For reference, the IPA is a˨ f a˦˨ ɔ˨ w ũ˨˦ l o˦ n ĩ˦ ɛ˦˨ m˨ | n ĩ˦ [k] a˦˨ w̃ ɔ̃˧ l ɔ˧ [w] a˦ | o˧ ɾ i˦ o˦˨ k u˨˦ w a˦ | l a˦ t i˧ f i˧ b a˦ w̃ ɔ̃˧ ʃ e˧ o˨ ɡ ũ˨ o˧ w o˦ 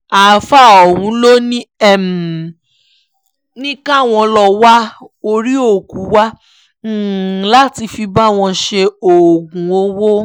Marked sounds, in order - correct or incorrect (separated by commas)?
correct, correct